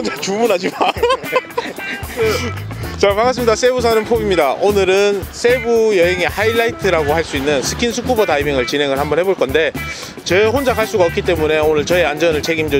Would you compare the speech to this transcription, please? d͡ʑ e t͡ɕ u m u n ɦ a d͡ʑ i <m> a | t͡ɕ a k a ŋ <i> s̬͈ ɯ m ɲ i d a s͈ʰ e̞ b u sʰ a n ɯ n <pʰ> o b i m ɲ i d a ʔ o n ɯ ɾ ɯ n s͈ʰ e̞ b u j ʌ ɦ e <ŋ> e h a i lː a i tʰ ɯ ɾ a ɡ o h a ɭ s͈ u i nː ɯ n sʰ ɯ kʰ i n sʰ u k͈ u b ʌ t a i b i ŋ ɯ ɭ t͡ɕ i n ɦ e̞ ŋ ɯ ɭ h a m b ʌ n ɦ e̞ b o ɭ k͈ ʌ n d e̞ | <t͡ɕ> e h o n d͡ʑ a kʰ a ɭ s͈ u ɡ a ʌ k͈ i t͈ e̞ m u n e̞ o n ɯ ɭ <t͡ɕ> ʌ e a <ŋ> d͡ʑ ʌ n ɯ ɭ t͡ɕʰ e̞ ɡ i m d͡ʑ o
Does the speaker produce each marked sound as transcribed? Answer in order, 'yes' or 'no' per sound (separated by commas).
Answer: yes, no, yes, yes, yes, yes, no